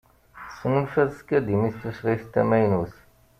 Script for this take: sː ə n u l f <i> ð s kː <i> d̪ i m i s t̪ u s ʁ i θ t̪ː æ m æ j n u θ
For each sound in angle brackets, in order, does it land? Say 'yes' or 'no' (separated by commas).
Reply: no, no